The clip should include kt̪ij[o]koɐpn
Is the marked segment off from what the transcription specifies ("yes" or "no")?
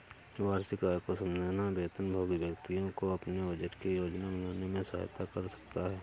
yes